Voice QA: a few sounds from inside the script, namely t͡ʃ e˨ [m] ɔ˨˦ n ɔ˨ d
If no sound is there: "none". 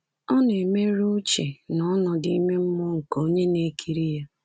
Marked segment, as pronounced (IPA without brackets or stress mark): n